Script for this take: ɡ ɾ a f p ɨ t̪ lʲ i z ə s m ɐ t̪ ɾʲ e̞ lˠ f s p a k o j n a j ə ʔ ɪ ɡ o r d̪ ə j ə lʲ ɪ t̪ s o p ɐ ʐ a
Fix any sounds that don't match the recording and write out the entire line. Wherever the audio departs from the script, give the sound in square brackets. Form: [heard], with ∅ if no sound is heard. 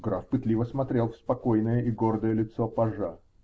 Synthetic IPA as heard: ɡ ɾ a f p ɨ t̪ lʲ i [v] ə s m ɐ t̪ ɾʲ e̞ lˠ f s p [ɐ] k o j n [ə] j ə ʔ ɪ ɡ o r d̪ ə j ə lʲ ɪ t̪ s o p ɐ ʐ a